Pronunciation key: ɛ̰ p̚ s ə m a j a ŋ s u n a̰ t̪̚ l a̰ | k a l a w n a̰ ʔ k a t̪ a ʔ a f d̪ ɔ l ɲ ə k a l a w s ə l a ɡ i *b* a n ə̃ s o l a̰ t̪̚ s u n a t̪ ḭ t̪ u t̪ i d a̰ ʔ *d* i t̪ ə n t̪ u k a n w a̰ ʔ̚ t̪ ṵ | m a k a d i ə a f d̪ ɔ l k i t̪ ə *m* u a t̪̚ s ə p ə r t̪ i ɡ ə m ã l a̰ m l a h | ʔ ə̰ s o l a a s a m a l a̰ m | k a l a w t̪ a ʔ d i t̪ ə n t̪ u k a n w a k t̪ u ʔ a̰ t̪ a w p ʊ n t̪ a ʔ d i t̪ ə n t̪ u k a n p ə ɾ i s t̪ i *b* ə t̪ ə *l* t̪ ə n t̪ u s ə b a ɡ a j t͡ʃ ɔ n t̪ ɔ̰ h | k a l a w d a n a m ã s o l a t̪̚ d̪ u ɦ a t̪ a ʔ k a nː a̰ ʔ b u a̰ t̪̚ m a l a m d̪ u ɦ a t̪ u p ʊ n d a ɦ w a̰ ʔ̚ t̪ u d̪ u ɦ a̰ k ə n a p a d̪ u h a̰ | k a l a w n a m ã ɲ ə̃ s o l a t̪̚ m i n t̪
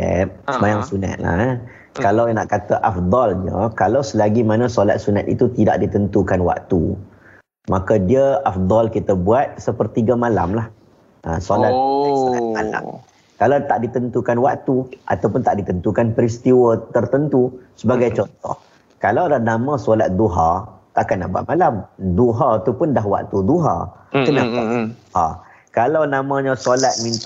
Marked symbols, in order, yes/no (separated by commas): no, yes, no, no, no